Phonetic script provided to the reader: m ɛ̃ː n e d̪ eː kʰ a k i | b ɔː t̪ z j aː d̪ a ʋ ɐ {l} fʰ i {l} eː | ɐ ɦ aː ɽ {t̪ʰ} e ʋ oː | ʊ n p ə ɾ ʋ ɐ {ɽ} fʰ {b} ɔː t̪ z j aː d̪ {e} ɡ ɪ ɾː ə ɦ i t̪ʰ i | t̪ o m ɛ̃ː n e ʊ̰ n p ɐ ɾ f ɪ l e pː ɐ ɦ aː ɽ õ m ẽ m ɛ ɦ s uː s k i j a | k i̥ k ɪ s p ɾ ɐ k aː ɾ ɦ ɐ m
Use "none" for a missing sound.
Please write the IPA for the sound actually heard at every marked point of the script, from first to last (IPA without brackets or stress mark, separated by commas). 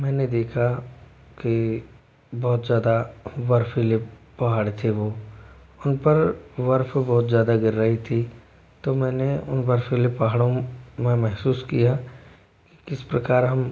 ɾ, l, t̪ʰ, ɾ, b, a